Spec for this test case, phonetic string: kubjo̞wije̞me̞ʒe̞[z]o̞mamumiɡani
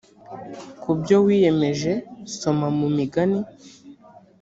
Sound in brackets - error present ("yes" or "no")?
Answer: yes